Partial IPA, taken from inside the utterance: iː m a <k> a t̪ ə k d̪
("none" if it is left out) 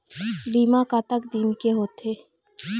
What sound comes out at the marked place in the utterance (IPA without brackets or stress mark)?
k